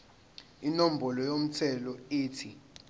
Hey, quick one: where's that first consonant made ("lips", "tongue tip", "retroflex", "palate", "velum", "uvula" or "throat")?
tongue tip